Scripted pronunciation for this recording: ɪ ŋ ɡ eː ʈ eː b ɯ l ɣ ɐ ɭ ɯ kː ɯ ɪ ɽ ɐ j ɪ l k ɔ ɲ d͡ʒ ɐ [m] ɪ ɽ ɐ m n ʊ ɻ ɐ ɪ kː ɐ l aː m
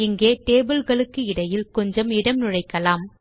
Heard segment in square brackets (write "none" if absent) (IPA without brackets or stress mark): m